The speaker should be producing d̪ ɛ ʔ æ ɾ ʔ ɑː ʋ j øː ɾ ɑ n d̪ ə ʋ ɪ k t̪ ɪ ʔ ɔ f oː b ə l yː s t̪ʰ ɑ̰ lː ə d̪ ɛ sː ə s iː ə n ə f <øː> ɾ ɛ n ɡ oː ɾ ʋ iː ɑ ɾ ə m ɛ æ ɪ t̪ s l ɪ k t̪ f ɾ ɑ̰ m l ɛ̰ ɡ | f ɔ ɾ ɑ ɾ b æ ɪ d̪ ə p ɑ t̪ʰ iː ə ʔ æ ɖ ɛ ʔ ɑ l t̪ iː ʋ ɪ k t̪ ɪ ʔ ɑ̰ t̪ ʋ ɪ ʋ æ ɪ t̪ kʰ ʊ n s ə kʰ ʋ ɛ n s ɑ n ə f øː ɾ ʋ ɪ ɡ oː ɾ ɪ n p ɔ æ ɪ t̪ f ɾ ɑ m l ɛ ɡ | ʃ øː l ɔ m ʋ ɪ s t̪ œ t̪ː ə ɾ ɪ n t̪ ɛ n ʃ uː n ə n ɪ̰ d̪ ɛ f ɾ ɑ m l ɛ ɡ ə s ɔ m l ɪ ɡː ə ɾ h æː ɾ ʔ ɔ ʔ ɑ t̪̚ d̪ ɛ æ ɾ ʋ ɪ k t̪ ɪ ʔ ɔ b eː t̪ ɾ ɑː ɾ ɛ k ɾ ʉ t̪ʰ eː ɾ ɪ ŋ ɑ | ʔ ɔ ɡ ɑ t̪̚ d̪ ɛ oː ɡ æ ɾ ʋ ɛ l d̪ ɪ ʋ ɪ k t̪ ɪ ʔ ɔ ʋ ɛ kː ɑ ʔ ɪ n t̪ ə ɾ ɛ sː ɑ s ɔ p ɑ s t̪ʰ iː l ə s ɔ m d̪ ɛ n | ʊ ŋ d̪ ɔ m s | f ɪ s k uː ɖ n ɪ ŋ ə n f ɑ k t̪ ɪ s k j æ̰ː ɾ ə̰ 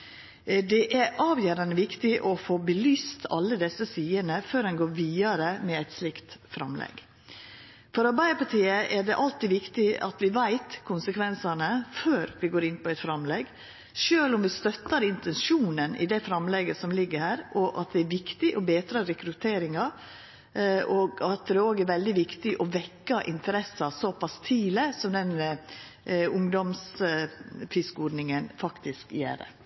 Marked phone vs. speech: correct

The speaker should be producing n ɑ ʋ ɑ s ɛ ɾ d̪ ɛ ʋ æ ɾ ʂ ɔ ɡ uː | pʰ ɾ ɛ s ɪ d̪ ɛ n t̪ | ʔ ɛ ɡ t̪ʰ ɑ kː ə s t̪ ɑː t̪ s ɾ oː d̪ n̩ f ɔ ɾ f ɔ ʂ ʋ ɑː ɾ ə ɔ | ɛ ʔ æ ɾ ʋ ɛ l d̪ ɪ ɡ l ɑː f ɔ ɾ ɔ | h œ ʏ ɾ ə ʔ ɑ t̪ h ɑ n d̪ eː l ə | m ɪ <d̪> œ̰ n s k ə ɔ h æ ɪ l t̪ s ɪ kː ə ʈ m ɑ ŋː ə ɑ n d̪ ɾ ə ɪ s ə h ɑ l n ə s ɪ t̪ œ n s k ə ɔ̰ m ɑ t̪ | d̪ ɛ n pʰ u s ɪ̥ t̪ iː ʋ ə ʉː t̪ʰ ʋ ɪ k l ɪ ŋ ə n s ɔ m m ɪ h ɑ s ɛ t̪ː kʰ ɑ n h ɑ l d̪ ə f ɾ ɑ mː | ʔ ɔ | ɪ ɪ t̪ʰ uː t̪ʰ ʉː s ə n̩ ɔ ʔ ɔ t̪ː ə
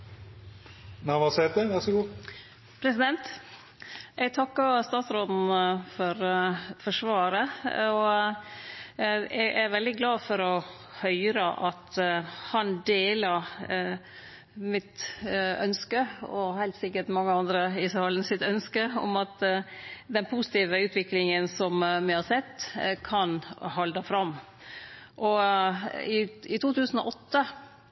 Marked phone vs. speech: incorrect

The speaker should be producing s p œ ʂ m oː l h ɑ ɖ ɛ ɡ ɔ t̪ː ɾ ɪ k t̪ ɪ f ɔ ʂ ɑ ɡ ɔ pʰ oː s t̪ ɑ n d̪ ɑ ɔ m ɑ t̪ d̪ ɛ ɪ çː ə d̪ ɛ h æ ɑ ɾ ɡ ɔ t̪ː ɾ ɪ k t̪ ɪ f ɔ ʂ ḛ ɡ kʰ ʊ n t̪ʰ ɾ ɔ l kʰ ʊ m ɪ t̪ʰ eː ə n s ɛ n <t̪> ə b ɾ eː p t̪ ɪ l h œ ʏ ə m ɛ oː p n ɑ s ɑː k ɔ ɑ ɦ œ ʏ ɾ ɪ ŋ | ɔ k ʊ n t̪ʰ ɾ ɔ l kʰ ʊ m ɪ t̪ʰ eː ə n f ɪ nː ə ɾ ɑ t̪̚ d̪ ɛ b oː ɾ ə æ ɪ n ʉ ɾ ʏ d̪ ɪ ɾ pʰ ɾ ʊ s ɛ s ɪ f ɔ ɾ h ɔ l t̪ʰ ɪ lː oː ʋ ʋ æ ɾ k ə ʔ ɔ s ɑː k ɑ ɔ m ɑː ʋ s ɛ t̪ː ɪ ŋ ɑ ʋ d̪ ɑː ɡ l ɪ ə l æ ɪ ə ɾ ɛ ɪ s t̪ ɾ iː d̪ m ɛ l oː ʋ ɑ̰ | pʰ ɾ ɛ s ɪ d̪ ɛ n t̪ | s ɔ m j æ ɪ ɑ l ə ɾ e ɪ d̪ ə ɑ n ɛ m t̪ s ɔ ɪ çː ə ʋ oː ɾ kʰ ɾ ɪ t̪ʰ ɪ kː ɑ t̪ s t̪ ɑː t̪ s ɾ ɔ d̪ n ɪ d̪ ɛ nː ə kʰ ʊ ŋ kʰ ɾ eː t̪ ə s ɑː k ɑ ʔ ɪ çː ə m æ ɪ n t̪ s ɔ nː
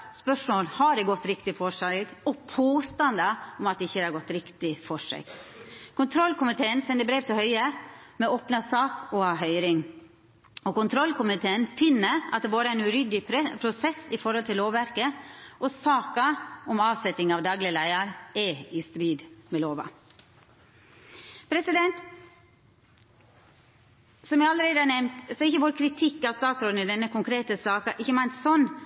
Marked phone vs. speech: incorrect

